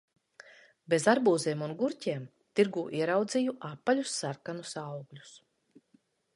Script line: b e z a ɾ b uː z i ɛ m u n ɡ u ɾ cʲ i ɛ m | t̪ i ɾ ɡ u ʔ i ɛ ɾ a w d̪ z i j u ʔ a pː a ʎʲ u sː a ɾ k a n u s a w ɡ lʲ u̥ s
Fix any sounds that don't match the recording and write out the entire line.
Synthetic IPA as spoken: b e z a ɾ b uː z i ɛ m u n ɡ u ɾ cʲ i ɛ m | t̪ i ɾ ɡ uː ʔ i ɛ ɾ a w d̪ z i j u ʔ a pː a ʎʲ u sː a ɾ k a n u s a w ɡ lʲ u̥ s

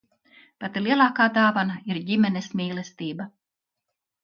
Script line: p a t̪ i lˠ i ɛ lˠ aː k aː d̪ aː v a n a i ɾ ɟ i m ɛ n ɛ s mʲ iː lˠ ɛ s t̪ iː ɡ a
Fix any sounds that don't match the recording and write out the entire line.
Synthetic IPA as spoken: p a t̪ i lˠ i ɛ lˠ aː k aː d̪ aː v a n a i ɾ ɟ i m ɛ n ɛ s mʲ iː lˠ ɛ s t̪ iː b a

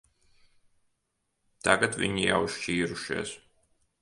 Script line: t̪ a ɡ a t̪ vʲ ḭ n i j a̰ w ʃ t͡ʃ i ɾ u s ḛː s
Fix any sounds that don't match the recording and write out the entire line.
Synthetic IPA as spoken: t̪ a ɡ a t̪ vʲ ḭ ɲ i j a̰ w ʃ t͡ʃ iː ɾ u ʃ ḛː s

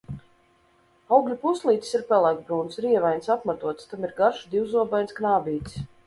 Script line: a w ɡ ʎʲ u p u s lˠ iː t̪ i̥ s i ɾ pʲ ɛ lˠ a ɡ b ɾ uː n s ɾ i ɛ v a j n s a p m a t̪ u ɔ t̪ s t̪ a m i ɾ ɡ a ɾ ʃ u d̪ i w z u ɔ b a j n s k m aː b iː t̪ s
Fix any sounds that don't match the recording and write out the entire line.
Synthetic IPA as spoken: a w ɡ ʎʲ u p u s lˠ iː t̪ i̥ s i ɾ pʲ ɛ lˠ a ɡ b ɾ uː n s ɾ i ɛ v a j n s a p m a t̪ u ɔ t̪ s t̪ a m i ɾ ɡ a ɾ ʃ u d̪ i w z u ɔ b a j n s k n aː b iː t̪ s

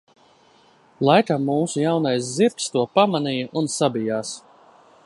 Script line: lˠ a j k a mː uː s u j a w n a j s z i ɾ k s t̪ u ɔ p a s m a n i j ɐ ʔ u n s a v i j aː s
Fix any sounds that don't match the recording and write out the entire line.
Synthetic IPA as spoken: lˠ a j k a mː uː s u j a w n a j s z i ɾ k s t̪ u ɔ p a m a n i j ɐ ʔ u n s a b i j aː s

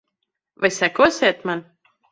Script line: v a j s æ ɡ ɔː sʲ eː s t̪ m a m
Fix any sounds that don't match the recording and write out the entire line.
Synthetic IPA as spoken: v a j s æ k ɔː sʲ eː t̪ m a n

